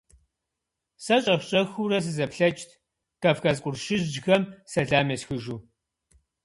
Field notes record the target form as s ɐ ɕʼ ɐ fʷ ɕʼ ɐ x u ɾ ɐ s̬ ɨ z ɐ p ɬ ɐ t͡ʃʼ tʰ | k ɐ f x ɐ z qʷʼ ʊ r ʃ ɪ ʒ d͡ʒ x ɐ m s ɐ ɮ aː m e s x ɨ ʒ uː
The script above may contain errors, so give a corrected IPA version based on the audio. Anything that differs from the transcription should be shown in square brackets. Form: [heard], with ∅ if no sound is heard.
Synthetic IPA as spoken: s ɐ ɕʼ ɐ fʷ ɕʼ ɐ x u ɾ ɐ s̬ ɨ z ɐ p ɬ ɐ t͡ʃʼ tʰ | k ɐ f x ɐ z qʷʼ ʊ r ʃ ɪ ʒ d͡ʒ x ɐ m s ɐ ɮ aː m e s x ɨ ʒ uː